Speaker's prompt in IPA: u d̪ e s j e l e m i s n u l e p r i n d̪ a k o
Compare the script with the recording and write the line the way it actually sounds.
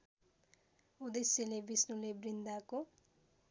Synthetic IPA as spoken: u d̪ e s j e l e b i s n u l e b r i n d̪ a k o